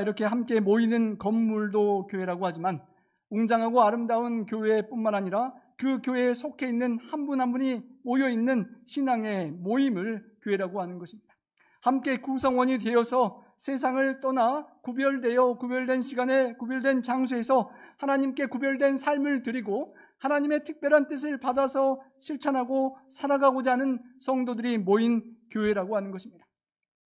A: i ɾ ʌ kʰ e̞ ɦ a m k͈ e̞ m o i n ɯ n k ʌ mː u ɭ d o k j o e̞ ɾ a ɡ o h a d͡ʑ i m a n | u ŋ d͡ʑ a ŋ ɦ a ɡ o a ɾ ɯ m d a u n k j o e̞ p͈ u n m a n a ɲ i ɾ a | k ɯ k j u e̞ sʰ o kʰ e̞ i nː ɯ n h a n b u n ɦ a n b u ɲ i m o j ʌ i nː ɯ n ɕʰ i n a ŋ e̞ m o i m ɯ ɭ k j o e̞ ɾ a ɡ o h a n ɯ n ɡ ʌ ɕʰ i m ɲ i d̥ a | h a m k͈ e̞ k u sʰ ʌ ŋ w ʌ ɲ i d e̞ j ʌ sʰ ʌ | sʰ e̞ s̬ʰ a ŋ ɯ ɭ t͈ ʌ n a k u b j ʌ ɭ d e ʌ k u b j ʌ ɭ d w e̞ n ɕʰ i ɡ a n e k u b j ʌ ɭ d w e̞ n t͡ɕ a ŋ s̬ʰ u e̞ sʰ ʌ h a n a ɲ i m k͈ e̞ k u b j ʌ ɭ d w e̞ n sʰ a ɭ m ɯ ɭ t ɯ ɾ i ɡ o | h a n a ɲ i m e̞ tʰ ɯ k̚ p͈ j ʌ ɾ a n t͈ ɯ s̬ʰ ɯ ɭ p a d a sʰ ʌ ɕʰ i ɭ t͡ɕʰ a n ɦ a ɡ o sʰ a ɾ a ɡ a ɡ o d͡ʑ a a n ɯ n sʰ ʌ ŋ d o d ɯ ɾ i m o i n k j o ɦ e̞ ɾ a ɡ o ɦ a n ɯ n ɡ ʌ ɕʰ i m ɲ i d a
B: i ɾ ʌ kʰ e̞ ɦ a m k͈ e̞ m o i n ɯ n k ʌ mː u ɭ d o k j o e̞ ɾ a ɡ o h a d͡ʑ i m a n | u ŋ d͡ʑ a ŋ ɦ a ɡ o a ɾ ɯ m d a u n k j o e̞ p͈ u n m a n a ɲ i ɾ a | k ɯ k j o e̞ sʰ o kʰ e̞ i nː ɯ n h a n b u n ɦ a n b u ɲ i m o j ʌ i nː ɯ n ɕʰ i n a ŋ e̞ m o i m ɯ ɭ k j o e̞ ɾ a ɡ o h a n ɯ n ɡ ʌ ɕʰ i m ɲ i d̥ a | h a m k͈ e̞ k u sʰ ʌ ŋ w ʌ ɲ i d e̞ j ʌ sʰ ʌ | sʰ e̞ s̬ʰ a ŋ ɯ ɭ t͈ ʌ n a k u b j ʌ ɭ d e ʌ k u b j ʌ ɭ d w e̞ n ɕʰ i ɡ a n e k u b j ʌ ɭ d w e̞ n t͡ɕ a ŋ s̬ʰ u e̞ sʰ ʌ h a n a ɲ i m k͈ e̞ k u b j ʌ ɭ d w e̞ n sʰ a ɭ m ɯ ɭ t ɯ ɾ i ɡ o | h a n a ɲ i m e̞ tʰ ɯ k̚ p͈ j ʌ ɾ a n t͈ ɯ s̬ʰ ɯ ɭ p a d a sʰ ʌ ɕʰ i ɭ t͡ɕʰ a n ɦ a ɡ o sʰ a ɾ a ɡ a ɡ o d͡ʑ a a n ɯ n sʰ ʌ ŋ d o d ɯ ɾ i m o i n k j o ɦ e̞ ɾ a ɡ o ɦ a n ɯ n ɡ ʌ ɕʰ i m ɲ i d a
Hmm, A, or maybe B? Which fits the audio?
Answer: B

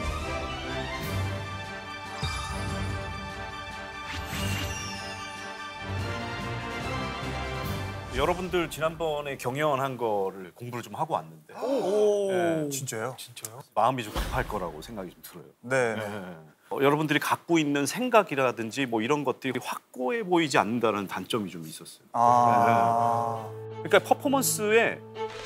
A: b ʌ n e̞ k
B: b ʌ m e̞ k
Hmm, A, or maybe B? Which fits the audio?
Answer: A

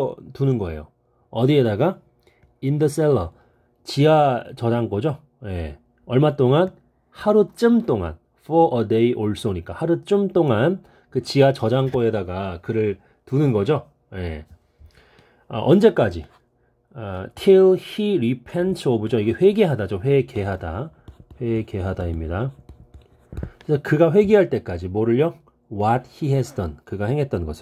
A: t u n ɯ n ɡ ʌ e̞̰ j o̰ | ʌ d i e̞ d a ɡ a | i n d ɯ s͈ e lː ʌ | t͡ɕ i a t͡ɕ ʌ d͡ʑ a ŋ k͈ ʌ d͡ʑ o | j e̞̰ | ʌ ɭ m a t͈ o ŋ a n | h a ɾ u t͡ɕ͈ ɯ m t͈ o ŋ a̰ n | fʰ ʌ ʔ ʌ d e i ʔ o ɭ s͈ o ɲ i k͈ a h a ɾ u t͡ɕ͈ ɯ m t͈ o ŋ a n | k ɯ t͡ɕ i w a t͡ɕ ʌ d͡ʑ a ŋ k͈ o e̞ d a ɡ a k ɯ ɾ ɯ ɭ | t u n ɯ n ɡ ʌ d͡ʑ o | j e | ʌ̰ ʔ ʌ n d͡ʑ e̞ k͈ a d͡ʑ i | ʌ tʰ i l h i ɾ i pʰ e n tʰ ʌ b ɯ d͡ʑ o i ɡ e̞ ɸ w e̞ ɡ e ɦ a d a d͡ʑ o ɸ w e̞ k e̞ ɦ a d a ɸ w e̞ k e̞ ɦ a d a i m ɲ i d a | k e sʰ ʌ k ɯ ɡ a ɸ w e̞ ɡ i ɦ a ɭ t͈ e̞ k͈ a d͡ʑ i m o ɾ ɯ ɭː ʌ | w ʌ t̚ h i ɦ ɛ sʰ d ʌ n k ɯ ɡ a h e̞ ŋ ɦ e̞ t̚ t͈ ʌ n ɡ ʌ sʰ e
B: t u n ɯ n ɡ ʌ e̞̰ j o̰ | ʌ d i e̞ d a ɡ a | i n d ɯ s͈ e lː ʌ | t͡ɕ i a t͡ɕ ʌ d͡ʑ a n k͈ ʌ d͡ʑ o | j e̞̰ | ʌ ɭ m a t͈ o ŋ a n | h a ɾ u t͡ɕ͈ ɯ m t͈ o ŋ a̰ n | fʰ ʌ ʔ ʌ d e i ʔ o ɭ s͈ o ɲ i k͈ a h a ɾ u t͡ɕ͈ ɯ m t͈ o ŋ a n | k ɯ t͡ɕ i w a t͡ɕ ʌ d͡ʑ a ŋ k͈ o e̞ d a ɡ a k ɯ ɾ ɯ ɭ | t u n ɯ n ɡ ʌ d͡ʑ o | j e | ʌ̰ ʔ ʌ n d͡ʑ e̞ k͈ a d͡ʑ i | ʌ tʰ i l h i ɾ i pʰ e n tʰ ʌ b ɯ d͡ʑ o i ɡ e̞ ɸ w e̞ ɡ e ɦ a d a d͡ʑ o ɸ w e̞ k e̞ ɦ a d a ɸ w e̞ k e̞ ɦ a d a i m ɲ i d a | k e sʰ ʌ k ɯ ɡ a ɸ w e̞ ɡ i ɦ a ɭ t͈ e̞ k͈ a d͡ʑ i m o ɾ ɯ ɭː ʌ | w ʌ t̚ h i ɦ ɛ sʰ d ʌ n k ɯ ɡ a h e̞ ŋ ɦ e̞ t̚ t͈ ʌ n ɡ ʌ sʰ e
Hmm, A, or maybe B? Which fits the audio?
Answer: A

